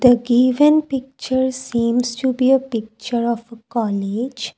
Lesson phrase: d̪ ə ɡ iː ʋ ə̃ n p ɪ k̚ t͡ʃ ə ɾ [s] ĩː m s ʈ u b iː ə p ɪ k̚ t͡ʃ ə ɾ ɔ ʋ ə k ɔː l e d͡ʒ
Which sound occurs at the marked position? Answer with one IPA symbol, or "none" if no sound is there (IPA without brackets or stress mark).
s